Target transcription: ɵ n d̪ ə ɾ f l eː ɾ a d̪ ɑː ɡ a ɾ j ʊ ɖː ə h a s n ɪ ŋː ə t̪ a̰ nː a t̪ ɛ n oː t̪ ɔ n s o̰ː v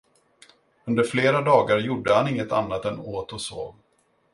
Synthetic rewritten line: ɵ n d̪ ə ɾ f l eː ɾ a d̪ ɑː ɡ a ɾ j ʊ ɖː ə h a n ɪ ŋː ə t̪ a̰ nː a t̪ ɛ n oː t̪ ɔ s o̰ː v